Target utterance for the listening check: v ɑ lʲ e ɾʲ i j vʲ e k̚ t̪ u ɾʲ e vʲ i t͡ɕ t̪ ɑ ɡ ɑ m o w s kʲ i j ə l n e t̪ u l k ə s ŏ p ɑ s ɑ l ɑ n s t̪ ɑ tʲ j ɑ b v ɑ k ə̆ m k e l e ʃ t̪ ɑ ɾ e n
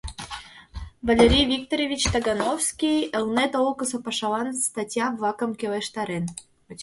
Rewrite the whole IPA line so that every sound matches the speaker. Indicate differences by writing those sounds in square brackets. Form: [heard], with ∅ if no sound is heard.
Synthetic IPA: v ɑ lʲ e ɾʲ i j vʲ [i] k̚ t̪ [o] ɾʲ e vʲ i t͡ɕ t̪ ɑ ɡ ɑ [n] o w s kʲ i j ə l n e t̪ [o] l k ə s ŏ p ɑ [ʃ] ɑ l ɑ n s t̪ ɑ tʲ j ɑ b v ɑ k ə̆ m k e l e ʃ t̪ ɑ ɾ e n